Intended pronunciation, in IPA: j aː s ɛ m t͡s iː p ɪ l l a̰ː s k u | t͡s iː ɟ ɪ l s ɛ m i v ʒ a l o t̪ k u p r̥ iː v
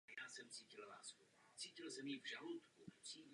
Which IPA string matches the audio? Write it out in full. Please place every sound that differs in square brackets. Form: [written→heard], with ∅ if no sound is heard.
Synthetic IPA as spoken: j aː s ɛ m t͡s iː [p→c] ɪ l l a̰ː s k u | t͡s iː [ɟ→c] ɪ l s ɛ m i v ʒ a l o t̪ k u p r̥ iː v